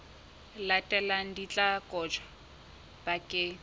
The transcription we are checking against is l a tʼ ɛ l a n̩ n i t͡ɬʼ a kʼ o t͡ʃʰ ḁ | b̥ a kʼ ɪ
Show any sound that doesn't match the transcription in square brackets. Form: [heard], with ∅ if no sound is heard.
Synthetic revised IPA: l a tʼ ɛ l a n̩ [d] i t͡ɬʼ a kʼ [ɔ] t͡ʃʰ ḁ | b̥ a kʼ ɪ